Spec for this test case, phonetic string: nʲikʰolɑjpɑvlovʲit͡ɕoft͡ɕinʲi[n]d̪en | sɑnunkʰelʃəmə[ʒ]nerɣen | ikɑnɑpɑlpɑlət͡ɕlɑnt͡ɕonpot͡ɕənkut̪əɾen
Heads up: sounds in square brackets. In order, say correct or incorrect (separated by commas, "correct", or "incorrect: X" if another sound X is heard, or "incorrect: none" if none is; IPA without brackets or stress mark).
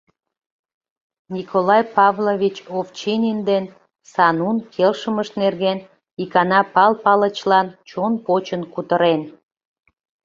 correct, incorrect: ʃ